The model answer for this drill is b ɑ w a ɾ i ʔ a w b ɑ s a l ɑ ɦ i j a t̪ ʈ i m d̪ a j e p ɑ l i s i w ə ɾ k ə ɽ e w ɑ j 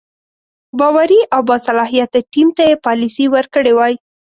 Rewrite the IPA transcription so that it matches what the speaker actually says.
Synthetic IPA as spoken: b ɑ w a ɾ i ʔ a w b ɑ s a l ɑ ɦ i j a t̪ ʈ i m t̪ a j e p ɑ l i s i w ə ɾ k ə ɽ e w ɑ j